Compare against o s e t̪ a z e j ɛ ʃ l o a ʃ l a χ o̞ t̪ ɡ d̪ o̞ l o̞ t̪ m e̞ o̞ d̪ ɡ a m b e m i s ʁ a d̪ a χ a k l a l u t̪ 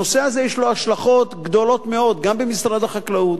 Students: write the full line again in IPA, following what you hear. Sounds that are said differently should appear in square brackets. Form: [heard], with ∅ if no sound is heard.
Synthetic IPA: o s e [∅] a z e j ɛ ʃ l o a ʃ l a χ o̞ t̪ ɡ d̪ o̞ l o̞ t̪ m e̞ o̞ d̪ ɡ a m b e m i s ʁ a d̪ a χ a k l a [∅] u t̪